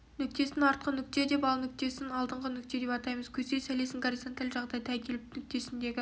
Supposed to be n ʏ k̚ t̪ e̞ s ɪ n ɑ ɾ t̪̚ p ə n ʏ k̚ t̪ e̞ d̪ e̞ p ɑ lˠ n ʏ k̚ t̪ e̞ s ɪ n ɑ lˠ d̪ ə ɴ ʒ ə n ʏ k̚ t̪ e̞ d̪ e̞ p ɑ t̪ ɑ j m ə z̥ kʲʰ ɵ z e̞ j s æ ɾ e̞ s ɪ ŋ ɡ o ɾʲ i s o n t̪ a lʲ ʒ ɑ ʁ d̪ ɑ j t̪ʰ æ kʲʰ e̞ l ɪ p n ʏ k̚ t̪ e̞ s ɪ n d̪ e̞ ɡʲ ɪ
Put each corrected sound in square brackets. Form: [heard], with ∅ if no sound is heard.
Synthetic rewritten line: n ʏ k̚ t̪ e̞ s ɪ n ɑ ɾ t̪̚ [q] ə n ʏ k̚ t̪ e̞ d̪ e̞ p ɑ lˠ n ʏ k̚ t̪ e̞ s ɪ n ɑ lˠ d̪ ə ɴ [ʁ] ə n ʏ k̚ t̪ e̞ d̪ e̞ p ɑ t̪ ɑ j m ə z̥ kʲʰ ɵ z e̞ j s æ [l] e̞ s ɪ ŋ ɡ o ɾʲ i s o n t̪ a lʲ ʒ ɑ ʁ d̪ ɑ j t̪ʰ æ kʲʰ e̞ l ɪ p n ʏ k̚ t̪ e̞ s ɪ n d̪ e̞ ɡʲ ɪ

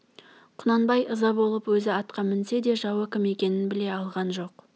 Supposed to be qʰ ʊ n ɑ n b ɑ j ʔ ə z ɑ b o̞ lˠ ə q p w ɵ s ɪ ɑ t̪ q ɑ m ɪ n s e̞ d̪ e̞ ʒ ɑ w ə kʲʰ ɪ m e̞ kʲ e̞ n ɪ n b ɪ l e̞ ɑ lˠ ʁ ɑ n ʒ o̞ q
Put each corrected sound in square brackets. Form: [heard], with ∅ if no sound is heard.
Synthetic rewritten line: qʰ ʊ n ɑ n b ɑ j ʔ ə z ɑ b o̞ lˠ ə [∅] p w ɵ [z] ɪ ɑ t̪ q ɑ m ɪ n s e̞ d̪ e̞ ʒ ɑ w ə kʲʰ ɪ m e̞ kʲ e̞ n ɪ n b ɪ l e̞ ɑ lˠ ʁ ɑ n ʒ o̞ q

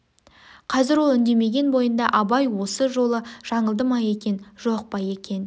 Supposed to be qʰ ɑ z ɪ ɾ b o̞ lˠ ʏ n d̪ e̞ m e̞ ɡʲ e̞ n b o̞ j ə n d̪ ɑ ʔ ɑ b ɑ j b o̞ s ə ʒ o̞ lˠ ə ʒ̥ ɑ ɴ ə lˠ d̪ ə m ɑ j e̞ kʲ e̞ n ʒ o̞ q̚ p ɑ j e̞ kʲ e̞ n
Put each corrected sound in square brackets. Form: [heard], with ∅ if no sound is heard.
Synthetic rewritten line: qʰ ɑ z ɪ ɾ [w] o̞ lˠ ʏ n d̪ e̞ m e̞ ɡʲ e̞ n b o̞ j ə n d̪ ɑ ʔ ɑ b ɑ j [w] o̞ s ə ʒ o̞ lˠ ə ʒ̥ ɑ ɴ ə lˠ d̪ ə m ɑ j e̞ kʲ e̞ n ʒ o̞ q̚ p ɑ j e̞ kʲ e̞ n

